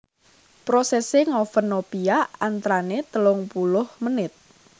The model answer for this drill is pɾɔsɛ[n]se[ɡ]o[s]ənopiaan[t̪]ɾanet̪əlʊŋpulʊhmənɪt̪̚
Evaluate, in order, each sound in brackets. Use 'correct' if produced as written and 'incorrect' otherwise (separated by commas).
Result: incorrect, incorrect, incorrect, correct